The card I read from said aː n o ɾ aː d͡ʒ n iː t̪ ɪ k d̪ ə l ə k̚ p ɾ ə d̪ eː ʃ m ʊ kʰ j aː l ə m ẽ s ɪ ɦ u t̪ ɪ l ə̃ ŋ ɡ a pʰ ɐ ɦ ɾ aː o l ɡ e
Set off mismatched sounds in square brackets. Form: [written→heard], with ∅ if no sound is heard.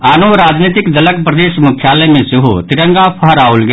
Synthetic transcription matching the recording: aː n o ɾ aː d͡ʒ n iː t̪ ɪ k d̪ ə l ə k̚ p ɾ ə d̪ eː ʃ m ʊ kʰ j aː l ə m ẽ s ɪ ɦ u t̪ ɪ [l→ɾ] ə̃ ŋ ɡ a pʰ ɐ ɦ ɾ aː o l ɡ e